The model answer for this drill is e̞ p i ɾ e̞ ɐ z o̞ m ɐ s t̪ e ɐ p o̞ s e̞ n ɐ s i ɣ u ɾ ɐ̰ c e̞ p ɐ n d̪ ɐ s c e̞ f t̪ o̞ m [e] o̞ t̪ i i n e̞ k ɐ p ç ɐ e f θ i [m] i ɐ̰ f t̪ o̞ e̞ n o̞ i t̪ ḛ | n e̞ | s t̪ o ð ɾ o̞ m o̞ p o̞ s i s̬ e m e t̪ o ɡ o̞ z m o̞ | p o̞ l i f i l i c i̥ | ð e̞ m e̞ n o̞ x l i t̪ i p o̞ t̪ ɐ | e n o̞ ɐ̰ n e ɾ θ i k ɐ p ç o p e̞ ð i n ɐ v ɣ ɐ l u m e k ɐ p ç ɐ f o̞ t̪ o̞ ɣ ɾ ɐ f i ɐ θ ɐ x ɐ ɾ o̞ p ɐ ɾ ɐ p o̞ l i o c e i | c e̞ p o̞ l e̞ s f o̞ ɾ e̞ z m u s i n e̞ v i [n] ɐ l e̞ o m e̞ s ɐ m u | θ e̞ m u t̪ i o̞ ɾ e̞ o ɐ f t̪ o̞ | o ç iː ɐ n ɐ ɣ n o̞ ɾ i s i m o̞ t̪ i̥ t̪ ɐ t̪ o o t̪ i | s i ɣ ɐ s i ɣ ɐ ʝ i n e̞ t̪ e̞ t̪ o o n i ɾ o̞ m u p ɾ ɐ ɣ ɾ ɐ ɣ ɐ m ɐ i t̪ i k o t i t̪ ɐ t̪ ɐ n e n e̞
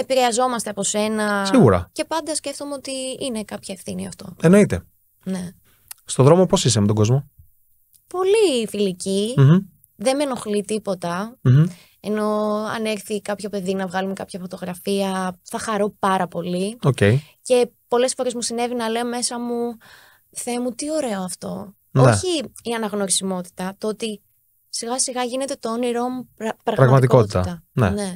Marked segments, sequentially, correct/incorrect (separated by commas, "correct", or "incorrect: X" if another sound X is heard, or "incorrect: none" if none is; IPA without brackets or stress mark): correct, incorrect: n, correct